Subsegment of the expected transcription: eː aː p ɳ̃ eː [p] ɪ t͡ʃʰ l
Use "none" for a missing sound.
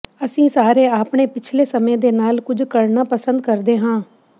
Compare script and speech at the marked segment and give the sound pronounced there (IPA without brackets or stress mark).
p